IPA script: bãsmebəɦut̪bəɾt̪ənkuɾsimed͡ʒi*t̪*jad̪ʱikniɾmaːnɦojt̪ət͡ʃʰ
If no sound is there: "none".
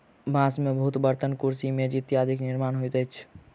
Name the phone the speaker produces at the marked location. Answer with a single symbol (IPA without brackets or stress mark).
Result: t̪